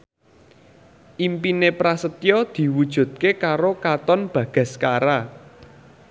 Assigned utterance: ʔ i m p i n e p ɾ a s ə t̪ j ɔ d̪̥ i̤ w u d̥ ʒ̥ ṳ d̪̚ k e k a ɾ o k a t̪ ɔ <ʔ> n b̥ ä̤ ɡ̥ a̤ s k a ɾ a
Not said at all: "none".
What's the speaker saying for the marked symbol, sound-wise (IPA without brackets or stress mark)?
none